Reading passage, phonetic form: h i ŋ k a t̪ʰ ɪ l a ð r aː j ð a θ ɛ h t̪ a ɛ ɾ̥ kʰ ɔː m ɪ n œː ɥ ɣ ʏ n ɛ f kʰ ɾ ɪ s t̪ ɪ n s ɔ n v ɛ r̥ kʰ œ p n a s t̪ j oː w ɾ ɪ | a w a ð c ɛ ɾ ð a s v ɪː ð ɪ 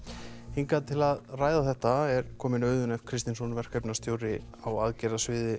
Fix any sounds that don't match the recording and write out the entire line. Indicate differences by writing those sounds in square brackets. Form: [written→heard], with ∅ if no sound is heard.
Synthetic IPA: h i ŋ k a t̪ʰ ɪ l a ð r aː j ð a θ ɛ h t̪ a ɛ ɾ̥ kʰ ɔː m ɪ n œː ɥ [ɣ→ð] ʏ n ɛ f kʰ ɾ ɪ s t̪ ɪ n s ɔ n v ɛ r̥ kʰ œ p n a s t̪ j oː w ɾ ɪ | a w a ð c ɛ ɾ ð a s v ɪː ð ɪ